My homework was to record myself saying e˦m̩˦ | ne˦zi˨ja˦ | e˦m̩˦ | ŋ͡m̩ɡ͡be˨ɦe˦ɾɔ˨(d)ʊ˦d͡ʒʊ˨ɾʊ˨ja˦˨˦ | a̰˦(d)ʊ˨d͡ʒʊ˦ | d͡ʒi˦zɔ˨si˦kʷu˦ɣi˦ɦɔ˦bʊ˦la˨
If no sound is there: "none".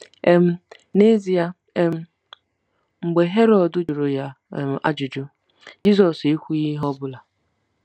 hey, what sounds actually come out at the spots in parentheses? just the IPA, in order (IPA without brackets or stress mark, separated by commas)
d, d͡ʒ